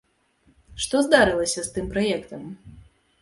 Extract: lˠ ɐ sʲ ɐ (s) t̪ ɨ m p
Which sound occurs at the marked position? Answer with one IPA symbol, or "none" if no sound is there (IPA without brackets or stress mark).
s